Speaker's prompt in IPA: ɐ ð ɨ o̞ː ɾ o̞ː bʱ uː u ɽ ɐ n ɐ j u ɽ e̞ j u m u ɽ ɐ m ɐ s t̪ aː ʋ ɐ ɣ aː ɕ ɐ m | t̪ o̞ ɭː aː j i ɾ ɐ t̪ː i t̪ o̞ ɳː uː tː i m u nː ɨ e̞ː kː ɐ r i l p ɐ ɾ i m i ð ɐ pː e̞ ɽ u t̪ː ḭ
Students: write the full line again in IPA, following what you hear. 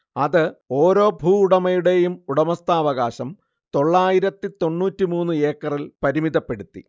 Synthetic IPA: ɐ ð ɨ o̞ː ɾ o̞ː bʱ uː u ɽ ɐ m ɐ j u ɽ e̞ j u m u ɽ ɐ m ɐ s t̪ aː ʋ ɐ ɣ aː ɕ ɐ m | t̪ o̞ ɭː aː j i ɾ ɐ t̪ː i t̪ o̞ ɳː uː tː i m uː nː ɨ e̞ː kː ɐ r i l p ɐ ɾ i m i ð ɐ pː e̞ ɽ u t̪ː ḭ